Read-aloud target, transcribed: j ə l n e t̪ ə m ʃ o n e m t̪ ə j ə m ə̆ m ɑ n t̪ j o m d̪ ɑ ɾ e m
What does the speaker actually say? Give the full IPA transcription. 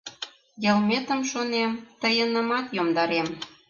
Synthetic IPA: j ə l m e t̪ ə m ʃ o n e m t̪ ə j ə n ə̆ m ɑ t̪ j o m d̪ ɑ ɾ e m